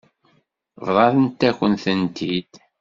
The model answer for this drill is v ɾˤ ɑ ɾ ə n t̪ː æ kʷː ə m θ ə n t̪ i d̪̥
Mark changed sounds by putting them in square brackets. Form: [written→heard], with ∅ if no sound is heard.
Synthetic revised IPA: v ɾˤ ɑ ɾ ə n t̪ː æ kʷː ə [m→n] θ ə n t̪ i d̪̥